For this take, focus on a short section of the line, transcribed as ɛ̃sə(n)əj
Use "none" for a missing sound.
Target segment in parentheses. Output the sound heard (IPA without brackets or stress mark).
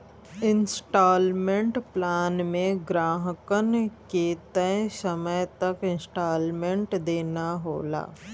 m